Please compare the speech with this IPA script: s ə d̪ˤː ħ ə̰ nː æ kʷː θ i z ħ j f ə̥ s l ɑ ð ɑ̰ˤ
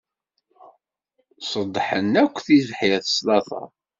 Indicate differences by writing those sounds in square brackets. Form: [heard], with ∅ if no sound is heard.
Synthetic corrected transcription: s ə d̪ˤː ħ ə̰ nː æ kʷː θ i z ħ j [θ] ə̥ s l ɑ [θ] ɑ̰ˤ